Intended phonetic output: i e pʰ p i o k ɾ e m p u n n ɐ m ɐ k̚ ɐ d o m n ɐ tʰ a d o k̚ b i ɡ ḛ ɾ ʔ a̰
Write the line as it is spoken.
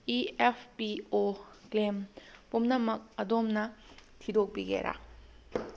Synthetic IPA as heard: i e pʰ p i o k l e m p u m n ɐ m ɐ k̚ ɐ d o m n ɐ tʰ i d o k̚ b i ɡ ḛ ɾ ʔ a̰

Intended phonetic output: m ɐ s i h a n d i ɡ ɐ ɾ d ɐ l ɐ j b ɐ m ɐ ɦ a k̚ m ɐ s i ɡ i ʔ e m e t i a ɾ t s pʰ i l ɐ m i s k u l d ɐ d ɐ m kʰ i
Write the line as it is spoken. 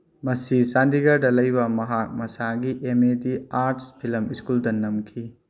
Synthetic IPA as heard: m ɐ s i s a n d i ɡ ɐ ɾ d ɐ l ɐ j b ɐ m ɐ ɦ a k̚ m ɐ s a ɡ i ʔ e m e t i a ɾ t s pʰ i l ɐ m i s k u l d ɐ n ɐ m kʰ i

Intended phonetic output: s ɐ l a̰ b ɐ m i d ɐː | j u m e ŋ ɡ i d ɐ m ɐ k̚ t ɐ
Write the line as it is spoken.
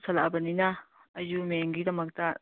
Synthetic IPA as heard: s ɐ l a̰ b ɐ n i n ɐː | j u m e ŋ ɡ i d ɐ m ɐ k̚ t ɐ

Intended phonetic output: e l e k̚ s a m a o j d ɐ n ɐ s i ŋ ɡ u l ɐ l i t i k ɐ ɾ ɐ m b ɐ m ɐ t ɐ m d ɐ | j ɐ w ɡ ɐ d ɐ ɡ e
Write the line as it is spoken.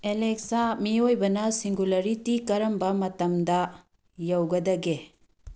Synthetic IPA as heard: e l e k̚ s a m i o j b ɐ n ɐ s i ŋ ɡ u l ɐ ɾ i t i k ɐ ɾ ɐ m b ɐ m ɐ t ɐ m d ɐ | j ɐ w ɡ ɐ d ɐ ɡ e

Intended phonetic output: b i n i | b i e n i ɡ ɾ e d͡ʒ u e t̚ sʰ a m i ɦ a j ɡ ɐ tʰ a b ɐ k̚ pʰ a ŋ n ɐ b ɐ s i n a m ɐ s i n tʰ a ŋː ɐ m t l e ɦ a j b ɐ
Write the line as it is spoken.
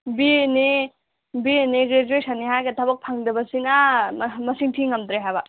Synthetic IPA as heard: b i n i | b i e n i ɡ ɾ e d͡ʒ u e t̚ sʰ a n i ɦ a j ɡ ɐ tʰ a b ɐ k̚ pʰ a ŋ d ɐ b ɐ s i n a m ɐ s i ŋ tʰ i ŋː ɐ m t ɾ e ɦ a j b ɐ

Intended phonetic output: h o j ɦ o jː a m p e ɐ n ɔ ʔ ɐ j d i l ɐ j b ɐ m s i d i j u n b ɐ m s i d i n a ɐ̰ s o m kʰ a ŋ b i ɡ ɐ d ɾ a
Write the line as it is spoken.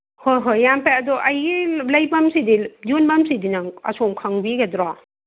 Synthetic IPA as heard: h o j ɦ o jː a m p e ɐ d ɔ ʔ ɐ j ɡ i l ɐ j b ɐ m s i d i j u n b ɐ m s i d i n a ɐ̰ s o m kʰ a ŋ b i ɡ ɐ d ɾ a

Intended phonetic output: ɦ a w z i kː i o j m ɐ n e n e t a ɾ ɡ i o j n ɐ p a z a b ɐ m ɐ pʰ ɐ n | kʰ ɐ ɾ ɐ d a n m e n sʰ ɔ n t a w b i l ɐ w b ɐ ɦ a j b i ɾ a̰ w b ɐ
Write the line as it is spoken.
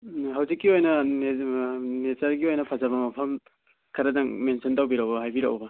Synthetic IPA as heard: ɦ a w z i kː i o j n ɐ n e n e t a ɾ ɡ i o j n ɐ pʰ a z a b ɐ m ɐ pʰ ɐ m | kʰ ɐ ɾ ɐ d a ŋ m e n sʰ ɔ n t a w b i ɾ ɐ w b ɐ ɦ a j b i ɾ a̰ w b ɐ

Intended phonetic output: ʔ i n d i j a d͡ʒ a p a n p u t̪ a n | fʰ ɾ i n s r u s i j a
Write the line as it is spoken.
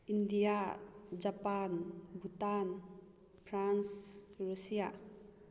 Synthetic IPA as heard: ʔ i n d i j a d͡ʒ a p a n b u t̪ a n | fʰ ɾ a n s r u s i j a

